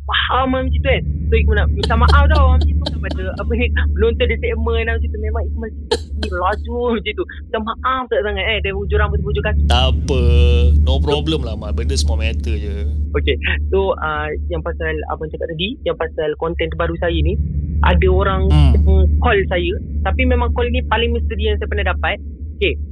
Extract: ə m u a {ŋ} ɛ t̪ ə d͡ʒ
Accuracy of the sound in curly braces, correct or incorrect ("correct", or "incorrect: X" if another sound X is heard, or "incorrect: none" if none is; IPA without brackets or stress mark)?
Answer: incorrect: m